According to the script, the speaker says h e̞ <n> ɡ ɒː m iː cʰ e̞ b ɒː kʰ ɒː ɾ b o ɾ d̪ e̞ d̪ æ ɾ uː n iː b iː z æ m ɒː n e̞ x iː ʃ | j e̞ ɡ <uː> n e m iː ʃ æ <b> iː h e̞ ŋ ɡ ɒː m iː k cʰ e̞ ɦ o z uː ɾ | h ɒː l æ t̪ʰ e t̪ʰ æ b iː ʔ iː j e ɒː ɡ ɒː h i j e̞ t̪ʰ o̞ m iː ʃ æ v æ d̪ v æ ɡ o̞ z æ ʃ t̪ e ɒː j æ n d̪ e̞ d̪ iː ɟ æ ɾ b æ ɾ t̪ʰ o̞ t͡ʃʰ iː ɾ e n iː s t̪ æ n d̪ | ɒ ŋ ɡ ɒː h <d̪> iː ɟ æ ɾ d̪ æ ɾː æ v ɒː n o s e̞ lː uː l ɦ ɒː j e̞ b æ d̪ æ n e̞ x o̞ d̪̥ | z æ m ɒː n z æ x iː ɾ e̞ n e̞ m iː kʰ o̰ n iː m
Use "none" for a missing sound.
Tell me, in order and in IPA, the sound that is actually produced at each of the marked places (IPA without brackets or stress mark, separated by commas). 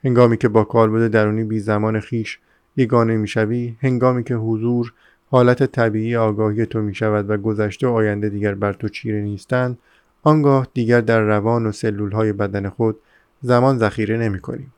ŋ, ɒː, v, d̪